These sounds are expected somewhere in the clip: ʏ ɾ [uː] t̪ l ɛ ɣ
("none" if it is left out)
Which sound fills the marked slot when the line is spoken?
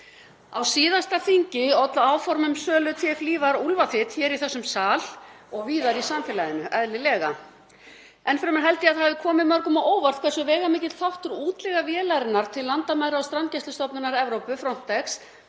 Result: uː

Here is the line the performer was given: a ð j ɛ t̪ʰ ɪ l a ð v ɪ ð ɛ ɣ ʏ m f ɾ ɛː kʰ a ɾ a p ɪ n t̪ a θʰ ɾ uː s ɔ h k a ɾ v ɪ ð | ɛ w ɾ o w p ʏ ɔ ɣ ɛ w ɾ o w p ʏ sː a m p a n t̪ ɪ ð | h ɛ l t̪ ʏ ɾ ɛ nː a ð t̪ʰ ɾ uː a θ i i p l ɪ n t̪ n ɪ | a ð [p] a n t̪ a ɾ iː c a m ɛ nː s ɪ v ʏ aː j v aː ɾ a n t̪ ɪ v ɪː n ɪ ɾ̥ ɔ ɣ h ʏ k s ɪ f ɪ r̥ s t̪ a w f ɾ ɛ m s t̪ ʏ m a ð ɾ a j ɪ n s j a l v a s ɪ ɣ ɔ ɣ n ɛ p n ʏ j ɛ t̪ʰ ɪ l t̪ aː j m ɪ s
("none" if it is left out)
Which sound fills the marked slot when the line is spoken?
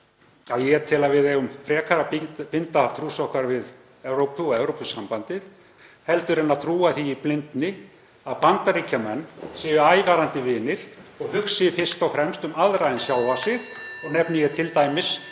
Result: p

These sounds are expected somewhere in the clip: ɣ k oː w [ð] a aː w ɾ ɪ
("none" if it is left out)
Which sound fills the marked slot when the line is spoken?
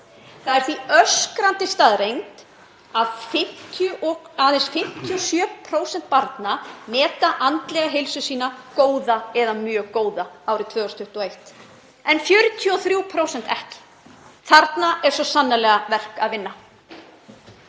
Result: ð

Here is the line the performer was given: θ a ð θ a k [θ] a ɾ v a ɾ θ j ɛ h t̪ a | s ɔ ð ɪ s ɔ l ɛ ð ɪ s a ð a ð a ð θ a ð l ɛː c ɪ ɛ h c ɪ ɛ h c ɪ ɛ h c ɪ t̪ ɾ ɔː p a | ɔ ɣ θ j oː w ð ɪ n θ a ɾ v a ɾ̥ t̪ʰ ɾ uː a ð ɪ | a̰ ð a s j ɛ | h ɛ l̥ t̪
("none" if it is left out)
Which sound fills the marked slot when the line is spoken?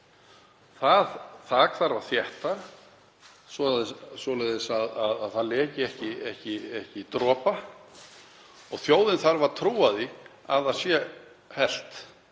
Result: θ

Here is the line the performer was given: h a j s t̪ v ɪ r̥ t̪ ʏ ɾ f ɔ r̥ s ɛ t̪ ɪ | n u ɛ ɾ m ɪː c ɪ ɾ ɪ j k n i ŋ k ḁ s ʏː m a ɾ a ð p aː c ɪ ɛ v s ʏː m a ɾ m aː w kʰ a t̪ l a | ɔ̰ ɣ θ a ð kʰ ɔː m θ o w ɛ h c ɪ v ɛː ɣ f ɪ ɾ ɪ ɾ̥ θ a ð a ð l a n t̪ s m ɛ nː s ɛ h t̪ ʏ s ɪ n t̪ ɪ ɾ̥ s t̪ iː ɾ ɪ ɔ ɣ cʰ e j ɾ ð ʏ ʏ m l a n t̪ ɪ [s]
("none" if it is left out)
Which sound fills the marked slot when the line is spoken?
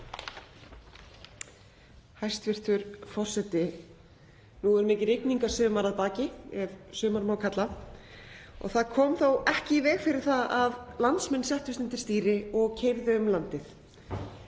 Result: θ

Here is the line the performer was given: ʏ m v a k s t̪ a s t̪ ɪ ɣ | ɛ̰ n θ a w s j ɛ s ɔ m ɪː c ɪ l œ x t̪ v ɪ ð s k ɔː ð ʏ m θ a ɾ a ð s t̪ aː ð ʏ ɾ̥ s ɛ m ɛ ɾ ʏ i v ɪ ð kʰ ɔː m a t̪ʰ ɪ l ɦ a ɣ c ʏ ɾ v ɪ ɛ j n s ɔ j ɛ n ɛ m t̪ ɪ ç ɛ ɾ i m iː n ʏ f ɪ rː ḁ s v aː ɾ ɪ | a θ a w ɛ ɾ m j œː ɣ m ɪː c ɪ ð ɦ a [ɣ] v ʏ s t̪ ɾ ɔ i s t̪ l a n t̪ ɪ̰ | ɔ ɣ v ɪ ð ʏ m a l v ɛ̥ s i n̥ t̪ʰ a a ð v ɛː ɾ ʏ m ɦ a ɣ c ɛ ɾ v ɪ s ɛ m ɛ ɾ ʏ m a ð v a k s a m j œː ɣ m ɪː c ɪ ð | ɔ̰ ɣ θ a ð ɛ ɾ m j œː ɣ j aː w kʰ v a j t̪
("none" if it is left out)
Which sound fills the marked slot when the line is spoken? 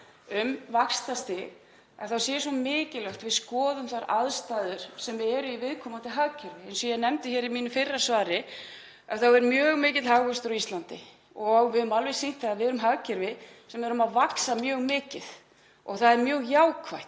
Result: ɣ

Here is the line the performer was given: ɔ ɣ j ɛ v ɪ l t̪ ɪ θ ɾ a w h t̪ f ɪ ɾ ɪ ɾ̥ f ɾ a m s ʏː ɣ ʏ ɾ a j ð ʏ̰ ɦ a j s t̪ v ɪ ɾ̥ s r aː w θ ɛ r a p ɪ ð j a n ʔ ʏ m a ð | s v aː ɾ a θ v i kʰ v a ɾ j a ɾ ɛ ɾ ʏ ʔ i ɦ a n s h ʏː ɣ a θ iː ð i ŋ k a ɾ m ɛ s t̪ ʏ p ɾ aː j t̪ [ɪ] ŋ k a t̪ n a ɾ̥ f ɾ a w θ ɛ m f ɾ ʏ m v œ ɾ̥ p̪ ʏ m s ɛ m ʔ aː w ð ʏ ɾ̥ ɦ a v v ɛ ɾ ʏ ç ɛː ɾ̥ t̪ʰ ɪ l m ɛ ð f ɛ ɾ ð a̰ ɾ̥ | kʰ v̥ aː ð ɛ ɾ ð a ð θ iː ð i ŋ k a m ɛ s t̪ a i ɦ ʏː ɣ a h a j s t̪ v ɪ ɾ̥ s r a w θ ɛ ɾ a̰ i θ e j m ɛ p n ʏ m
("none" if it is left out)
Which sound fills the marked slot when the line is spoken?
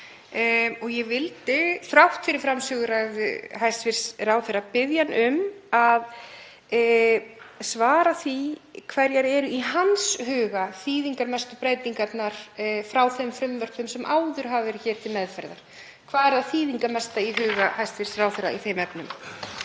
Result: i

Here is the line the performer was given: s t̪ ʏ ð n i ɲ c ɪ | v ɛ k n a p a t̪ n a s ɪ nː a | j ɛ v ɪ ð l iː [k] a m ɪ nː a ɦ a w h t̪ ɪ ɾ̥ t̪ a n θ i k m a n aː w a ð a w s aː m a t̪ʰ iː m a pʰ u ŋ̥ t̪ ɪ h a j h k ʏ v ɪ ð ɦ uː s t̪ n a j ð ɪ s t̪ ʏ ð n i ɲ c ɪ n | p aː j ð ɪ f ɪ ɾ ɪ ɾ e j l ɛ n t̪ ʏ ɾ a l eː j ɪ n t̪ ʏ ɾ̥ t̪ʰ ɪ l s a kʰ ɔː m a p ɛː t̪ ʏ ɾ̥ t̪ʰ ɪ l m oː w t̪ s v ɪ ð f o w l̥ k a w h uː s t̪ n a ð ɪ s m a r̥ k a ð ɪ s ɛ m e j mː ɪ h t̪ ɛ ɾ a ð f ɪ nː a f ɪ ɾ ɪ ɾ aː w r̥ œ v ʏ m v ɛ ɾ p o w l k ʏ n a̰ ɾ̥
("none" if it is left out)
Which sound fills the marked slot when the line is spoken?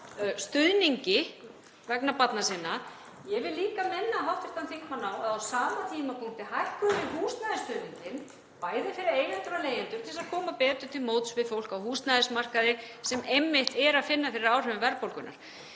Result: k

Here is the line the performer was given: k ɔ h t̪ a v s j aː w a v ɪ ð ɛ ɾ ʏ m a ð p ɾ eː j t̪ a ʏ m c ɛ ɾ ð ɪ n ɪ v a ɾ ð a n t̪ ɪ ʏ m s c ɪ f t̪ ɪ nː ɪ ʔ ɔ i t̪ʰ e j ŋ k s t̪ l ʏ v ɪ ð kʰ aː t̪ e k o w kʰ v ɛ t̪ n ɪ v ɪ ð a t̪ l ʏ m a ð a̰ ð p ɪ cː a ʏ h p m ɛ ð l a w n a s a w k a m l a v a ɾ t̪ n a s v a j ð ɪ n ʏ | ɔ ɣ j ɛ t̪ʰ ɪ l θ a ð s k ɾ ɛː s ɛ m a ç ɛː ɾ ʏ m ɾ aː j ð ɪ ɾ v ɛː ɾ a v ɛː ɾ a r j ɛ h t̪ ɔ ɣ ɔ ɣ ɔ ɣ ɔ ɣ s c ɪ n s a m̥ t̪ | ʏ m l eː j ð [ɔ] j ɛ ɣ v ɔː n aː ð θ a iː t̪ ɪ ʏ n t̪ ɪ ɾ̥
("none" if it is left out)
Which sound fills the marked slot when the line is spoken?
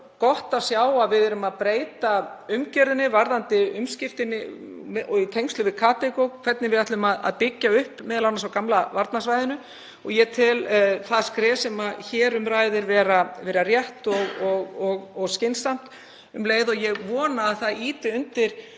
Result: ɔ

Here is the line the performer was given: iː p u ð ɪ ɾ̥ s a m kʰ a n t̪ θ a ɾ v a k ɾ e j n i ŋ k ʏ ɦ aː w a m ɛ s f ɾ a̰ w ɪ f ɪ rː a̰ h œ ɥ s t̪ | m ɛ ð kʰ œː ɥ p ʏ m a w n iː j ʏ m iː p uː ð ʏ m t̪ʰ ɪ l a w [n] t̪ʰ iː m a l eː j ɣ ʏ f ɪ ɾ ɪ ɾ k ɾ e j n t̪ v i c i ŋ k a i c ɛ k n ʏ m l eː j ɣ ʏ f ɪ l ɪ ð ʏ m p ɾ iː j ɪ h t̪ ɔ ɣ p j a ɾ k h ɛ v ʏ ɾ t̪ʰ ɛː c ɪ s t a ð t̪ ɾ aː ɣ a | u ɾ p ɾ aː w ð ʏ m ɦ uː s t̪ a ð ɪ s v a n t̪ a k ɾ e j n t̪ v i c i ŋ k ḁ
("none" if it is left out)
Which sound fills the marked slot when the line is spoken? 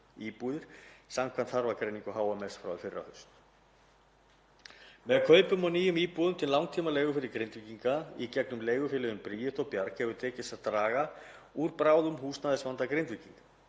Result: ŋ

